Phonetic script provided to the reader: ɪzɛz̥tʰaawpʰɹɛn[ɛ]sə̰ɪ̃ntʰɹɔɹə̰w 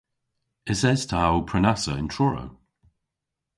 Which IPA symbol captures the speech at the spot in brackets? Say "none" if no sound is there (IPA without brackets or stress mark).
a